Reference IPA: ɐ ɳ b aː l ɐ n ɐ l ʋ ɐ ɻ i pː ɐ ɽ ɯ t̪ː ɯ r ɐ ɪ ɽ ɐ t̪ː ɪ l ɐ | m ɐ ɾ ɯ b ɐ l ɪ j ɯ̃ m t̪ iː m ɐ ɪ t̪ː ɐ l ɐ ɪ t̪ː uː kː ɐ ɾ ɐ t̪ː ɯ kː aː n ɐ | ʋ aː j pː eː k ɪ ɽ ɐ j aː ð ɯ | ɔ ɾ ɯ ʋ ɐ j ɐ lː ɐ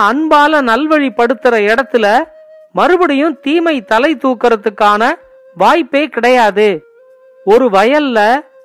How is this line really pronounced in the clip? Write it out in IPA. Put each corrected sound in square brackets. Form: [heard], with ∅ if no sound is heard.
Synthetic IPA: ɐ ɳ b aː l ɐ n ɐ l ʋ ɐ ɻ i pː ɐ ɽ ɯ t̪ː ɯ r ɐ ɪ ɽ ɐ t̪ː ɪ l ɐ | m ɐ ɾ ɯ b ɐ [ɽ] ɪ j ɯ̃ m t̪ iː m ɐ ɪ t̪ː ɐ l ɐ ɪ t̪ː uː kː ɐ ɾ ɐ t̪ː ɯ kː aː n ɐ | ʋ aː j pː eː k ɪ ɽ ɐ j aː ð ɯ | ɔ ɾ ɯ ʋ ɐ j ɐ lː ɐ